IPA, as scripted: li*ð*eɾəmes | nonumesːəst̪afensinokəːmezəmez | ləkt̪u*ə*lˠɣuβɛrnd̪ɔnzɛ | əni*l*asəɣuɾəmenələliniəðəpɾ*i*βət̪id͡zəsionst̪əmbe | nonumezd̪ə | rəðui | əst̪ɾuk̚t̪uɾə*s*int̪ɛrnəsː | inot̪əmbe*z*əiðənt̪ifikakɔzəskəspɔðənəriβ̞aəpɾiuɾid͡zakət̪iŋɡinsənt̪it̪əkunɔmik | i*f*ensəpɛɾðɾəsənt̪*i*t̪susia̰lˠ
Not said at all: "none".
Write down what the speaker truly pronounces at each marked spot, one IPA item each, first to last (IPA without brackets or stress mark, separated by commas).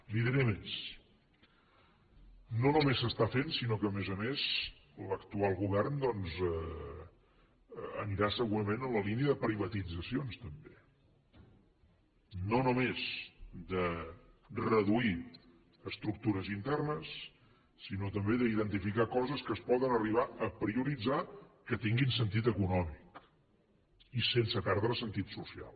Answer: ð, a, ɾ, i, z, ð, s, i